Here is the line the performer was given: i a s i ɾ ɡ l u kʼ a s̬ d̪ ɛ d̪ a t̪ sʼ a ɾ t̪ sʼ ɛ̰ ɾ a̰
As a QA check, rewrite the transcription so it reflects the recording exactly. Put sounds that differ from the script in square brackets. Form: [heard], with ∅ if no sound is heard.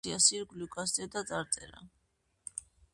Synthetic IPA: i a s i ɾ ɡ l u kʼ a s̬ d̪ ɛ d̪ a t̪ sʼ a ɾ t̪ sʼ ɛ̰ ɾ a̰